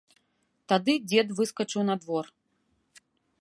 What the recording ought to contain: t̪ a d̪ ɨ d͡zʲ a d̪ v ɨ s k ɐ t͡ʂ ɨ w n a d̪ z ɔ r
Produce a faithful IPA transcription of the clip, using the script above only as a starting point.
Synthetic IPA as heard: t̪ a d̪ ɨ d͡zʲ ɛ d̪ v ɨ s k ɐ t͡ʂ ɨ w n a d̪ v ɔ r